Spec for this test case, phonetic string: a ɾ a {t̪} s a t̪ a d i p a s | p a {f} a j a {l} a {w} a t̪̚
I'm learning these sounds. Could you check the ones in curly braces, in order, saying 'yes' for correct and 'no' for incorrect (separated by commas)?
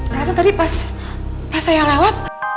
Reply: no, no, yes, yes